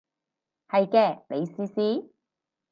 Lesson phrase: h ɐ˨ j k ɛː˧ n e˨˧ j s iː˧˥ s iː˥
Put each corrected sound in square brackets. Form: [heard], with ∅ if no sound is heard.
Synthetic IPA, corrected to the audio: h ɐ˨ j k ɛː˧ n e˨˧ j s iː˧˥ s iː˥